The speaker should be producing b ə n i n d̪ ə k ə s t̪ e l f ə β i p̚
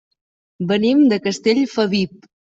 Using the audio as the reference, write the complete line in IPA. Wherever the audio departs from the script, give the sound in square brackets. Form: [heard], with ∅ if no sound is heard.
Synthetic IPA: b ə n i [m] d̪ ə k ə s t̪ e [ʎ] f ə β i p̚